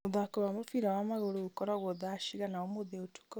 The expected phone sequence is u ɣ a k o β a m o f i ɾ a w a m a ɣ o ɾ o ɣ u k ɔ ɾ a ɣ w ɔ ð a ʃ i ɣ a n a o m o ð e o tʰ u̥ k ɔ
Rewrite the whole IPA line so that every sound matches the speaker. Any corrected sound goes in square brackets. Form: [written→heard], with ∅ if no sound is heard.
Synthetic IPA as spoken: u [ɣ→ð] a k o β a m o f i ɾ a w a m a ɣ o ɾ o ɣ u k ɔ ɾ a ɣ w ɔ ð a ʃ i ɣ a n a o m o ð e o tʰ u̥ k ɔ

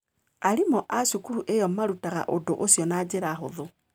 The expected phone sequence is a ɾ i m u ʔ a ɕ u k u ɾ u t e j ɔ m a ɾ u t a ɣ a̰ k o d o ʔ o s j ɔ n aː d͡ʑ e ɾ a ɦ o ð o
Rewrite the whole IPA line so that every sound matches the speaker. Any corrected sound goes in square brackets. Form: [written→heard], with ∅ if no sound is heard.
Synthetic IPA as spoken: a ɾ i m [u→ɔ] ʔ a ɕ u k u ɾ u [t→ʔ] e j ɔ m a ɾ u t a ɣ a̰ [k→ʔ] o d o ʔ o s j ɔ n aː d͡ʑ e ɾ a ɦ o ð o

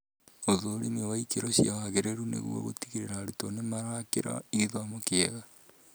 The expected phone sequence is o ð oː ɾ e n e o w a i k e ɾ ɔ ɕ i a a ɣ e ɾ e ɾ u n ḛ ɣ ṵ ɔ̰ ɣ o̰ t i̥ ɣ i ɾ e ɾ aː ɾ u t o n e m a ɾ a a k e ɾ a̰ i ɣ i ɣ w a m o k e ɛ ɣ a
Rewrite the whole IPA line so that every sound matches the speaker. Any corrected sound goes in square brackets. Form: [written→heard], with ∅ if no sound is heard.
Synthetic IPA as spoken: o ð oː ɾ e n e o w a i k e ɾ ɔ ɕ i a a ɣ e ɾ e ɾ u n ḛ ɣ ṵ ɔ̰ ɣ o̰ t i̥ ɣ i ɾ e ɾ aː ɾ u t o n e m a ɾ a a k e ɾ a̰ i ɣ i [ɣ→ð] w a m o k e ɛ ɣ a

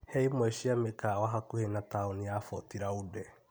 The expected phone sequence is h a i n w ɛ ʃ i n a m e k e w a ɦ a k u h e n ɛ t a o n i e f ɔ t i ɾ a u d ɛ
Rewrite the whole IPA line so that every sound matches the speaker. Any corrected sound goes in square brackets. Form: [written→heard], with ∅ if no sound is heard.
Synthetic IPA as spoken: h [a→ɛ] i [n→m] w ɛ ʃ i [n→∅] a m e k [e→a] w a ɦ a k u h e n [ɛ→a] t a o n i [e→a] f ɔ t i ɾ a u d ɛ

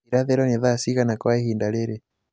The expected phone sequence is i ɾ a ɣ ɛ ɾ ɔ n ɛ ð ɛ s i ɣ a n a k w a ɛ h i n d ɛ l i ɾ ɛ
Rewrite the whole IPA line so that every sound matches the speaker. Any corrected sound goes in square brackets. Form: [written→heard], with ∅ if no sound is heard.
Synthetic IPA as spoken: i ɾ a [ɣ→ð] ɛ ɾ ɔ n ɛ ð [ɛ→a] s i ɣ a n a k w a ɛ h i n d [ɛ→a] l [i→ɛ] ɾ ɛ

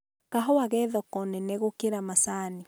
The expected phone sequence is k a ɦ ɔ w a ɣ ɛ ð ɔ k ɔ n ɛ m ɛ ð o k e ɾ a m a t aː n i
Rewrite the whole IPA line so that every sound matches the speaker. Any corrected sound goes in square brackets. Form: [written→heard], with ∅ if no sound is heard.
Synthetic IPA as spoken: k a ɦ ɔ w a ɣ ɛ ð ɔ k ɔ n ɛ [m→n] ɛ [ð→ɣ] o k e ɾ a m a [t→s] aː n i

